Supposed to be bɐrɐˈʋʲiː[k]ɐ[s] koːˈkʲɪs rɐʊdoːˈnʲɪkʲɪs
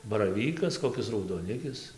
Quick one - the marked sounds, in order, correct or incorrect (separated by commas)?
correct, correct